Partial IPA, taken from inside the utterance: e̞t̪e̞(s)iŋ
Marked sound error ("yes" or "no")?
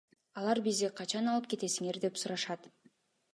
no